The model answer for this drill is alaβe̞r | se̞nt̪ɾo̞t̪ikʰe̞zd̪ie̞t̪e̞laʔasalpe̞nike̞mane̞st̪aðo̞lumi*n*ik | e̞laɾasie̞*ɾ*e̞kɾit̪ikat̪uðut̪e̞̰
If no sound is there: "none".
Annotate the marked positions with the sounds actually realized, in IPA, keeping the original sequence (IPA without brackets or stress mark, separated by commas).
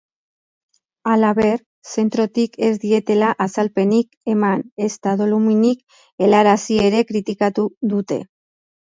n, ɾ